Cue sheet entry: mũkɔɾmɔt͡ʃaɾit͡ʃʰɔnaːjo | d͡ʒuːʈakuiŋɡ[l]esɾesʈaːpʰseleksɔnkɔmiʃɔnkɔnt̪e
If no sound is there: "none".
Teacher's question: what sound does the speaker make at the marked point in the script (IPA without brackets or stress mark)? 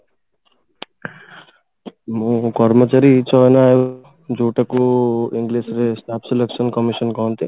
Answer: l